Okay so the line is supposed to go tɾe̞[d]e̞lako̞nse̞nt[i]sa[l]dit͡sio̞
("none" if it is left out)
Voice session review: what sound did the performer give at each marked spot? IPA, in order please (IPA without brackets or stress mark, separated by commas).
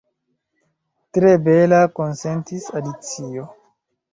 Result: b, i, none